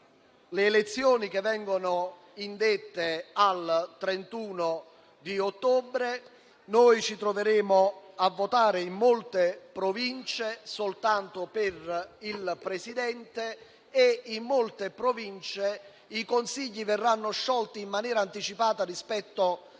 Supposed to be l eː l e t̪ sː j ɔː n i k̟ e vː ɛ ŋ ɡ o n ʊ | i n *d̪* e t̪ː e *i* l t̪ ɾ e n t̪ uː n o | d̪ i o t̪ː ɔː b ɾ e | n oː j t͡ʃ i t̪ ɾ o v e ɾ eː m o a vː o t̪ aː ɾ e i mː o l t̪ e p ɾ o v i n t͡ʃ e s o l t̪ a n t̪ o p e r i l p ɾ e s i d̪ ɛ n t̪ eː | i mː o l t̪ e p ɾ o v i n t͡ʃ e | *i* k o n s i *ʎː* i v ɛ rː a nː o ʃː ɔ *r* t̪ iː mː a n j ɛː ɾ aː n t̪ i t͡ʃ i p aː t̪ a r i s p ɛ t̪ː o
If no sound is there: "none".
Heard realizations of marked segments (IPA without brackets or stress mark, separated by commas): d̪, a, i, ʎː, l